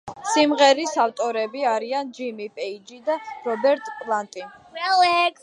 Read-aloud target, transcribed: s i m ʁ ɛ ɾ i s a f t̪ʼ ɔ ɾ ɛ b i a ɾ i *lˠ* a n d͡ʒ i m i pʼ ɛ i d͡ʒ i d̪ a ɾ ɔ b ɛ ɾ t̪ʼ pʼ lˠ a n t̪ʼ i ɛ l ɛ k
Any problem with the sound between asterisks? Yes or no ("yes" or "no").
yes